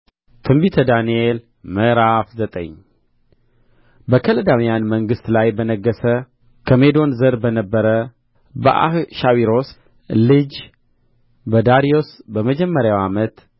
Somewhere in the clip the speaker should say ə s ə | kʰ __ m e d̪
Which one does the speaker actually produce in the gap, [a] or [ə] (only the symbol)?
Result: ə